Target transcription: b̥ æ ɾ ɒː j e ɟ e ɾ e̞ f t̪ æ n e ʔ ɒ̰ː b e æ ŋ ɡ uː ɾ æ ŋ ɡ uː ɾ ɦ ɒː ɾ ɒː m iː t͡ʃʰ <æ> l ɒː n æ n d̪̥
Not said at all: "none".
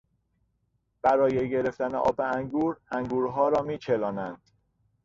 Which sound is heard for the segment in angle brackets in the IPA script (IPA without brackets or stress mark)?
e